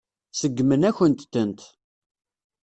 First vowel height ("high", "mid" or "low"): mid